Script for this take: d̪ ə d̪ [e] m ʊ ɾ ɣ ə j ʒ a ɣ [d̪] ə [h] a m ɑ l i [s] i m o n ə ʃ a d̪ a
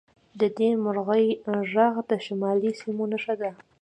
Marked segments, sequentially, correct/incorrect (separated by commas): correct, correct, incorrect, correct